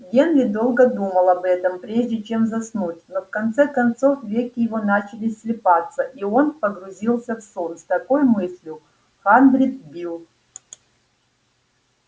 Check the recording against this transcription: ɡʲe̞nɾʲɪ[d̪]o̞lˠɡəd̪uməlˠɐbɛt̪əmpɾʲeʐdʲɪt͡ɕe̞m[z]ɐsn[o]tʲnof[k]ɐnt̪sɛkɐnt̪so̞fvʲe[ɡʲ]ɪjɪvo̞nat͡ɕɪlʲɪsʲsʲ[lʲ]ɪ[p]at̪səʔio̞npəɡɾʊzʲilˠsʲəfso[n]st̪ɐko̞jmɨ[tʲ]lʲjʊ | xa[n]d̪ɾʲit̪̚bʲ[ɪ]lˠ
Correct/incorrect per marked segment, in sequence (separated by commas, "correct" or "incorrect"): correct, correct, incorrect, correct, incorrect, correct, correct, correct, incorrect, correct, incorrect